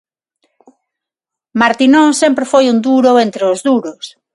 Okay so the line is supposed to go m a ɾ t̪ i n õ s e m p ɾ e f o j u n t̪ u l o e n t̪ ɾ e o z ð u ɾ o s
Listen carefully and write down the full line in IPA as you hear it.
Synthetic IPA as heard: m a ɾ t̪ i n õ s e m p ɾ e f o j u n d̪ u ɾ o e n t̪ ɾ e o z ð u ɾ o s